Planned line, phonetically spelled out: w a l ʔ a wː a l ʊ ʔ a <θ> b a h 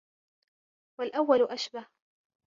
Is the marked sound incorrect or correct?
incorrect